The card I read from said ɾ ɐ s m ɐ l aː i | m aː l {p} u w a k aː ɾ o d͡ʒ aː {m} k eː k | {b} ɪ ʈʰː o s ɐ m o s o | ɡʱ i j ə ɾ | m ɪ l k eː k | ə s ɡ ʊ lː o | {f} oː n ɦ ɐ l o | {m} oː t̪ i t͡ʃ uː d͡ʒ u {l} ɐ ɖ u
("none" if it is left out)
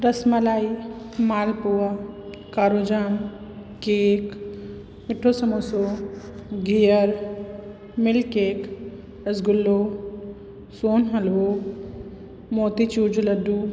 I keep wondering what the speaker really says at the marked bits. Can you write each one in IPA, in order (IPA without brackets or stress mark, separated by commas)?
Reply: p, m, m, s, m, l